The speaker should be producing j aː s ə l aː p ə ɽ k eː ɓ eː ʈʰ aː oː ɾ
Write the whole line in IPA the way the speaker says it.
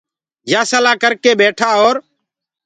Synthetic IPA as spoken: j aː s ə l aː k ə ɾ k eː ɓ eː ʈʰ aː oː ɾ